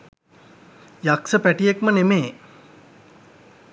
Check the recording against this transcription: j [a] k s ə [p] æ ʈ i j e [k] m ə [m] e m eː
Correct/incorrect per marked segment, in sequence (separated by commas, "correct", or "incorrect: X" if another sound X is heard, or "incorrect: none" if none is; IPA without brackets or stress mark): correct, correct, correct, incorrect: n